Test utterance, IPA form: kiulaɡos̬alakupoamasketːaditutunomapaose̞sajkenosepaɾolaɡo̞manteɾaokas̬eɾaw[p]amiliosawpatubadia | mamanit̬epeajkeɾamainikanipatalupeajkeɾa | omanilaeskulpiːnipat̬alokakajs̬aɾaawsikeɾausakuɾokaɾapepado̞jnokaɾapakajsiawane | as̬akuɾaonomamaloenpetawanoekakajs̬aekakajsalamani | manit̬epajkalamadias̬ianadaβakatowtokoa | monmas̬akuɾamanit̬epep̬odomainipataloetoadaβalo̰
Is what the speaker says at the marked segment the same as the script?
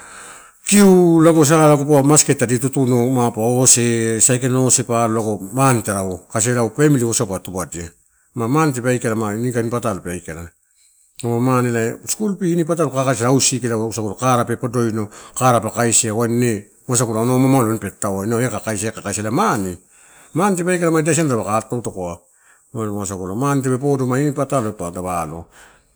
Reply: yes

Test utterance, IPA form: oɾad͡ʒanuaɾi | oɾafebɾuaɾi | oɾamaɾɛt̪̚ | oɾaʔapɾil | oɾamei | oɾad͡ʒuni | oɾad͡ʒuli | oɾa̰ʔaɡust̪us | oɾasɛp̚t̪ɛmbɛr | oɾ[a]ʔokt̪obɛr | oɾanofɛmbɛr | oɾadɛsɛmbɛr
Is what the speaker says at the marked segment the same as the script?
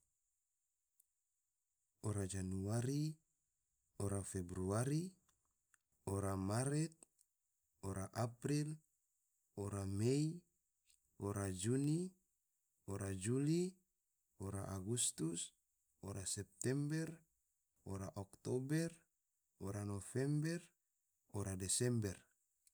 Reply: yes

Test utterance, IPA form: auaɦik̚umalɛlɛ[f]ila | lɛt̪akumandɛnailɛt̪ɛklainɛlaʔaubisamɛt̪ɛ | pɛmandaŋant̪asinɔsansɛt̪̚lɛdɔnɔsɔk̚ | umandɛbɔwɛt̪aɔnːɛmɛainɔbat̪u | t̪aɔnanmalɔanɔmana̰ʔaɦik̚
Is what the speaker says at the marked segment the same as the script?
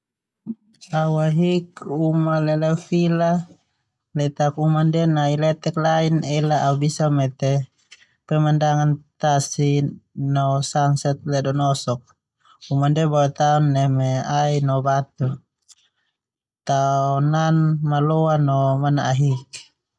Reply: yes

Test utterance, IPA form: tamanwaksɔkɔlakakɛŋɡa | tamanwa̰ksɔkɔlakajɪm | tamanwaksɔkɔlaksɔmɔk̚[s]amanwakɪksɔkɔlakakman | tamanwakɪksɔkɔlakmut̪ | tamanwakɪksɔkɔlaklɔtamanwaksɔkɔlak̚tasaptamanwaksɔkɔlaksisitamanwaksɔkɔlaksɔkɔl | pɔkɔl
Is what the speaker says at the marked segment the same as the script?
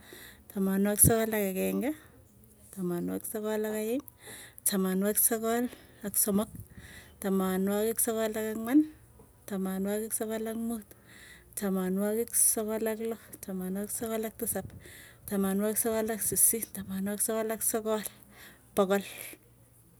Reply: no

